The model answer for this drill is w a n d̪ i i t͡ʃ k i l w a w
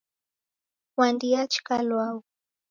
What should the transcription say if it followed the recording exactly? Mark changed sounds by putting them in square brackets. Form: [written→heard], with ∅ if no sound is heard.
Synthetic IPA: w a n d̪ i [i→a] t͡ʃ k [i→a] l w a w